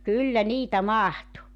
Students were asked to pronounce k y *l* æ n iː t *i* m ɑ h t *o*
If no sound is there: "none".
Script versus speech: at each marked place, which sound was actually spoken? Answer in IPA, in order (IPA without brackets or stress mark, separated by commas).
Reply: lː, æ, u